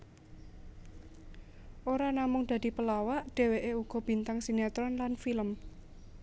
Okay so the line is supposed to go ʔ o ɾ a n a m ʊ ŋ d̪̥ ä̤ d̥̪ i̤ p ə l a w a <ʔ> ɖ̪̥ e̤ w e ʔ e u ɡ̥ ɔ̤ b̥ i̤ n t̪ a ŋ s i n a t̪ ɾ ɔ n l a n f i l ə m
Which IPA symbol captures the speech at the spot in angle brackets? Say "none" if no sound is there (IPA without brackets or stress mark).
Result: ʔ